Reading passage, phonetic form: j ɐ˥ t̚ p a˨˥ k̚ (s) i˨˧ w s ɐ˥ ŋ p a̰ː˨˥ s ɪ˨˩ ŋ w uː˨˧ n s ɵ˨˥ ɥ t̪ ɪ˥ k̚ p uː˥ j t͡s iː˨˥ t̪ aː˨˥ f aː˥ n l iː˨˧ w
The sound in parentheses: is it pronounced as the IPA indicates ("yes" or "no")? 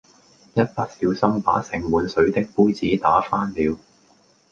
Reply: yes